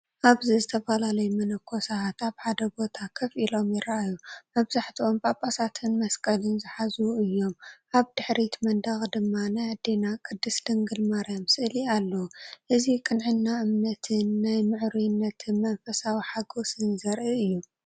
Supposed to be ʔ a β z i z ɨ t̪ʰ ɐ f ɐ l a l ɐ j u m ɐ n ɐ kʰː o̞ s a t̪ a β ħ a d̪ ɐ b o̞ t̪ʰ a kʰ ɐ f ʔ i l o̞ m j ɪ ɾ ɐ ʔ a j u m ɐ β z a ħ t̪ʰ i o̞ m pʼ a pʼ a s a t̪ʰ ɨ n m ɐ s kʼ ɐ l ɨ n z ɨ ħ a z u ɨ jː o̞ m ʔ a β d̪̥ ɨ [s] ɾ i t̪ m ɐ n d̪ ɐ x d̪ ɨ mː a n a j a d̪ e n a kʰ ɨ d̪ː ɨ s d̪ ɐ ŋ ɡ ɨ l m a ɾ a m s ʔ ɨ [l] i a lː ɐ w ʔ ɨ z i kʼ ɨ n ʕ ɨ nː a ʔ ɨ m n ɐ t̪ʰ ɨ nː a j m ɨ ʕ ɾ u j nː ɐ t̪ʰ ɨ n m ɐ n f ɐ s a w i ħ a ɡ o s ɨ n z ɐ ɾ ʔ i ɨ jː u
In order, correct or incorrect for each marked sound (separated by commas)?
incorrect, correct